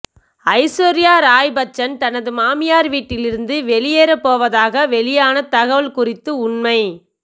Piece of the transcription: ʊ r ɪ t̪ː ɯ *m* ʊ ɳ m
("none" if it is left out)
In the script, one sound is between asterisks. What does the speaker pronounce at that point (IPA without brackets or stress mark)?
none